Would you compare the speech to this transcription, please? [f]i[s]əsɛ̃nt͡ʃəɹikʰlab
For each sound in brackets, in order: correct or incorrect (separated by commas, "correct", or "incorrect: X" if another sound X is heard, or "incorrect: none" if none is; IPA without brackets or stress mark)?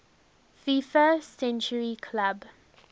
correct, incorrect: f